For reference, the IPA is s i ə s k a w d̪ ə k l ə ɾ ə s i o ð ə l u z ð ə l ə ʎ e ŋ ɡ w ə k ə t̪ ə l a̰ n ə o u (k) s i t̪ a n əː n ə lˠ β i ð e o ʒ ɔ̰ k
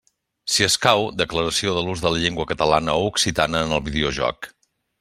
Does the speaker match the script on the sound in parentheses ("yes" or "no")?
yes